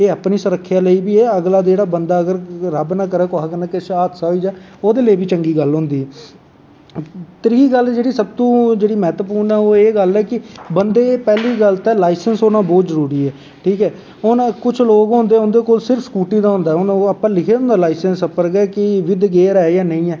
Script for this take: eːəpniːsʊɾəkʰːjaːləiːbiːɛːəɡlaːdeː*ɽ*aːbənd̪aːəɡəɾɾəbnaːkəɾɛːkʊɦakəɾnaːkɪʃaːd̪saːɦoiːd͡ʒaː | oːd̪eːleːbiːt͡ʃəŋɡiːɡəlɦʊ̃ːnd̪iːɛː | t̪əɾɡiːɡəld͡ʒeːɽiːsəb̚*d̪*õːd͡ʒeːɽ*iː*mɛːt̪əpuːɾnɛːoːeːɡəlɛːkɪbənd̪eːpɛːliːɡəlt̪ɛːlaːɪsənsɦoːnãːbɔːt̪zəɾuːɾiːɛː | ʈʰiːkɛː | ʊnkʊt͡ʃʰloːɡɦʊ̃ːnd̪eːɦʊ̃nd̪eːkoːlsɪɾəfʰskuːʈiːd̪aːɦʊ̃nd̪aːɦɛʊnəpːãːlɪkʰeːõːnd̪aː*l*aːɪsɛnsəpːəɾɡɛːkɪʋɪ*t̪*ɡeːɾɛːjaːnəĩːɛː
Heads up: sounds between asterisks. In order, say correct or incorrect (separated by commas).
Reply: correct, incorrect, correct, correct, incorrect